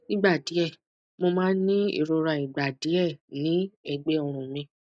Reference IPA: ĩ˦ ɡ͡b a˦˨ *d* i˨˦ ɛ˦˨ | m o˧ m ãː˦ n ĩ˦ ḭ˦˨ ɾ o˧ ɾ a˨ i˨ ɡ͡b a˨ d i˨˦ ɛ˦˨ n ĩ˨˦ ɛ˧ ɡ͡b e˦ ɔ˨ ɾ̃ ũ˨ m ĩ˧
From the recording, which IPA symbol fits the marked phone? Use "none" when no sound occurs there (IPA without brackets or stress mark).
d